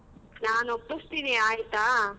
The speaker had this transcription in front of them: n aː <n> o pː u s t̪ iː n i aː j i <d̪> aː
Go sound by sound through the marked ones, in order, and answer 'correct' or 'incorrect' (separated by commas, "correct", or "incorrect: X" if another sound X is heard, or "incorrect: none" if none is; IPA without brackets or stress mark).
correct, incorrect: t̪